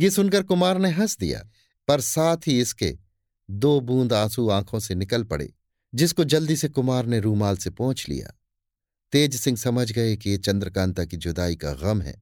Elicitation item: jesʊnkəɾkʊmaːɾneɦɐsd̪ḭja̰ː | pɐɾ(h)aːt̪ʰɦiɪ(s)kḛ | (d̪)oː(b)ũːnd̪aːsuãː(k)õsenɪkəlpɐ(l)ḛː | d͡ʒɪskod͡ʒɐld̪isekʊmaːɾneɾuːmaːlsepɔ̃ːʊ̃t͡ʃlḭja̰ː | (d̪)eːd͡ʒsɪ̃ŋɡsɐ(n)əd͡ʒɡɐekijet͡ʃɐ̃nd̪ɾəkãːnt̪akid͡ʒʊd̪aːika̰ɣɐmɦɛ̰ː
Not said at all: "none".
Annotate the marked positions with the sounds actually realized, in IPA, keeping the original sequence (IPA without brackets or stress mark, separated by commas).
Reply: s, s, d̪, b, kʰ, ɽ, t̪, m